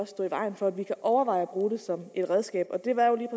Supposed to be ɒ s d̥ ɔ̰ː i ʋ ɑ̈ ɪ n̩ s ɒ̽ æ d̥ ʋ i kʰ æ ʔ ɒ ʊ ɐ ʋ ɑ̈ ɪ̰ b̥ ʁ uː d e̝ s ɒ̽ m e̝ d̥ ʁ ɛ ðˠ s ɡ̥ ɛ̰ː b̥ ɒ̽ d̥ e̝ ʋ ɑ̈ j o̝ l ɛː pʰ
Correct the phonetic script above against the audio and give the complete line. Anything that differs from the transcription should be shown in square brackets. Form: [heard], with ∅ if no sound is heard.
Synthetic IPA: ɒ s d̥ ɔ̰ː i ʋ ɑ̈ ɪ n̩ [f] ɒ̽ æ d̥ ʋ i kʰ æ ʔ ɒ ʊ ɐ ʋ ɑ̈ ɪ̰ b̥ ʁ uː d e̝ s ɒ̽ m e̝ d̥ ʁ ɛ ðˠ s ɡ̥ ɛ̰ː b̥ ɒ̽ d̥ e̝ ʋ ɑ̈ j o̝ l [iː] pʰ